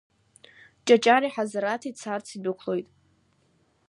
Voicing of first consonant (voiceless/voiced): voiceless